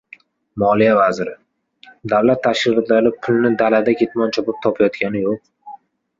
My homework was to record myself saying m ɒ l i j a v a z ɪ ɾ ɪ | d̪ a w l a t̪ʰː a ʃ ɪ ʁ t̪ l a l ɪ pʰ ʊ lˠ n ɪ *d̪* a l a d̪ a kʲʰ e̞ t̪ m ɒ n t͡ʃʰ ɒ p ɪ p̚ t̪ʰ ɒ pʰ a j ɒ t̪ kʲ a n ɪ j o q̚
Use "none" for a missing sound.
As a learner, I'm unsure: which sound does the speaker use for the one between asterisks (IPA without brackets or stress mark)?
d̪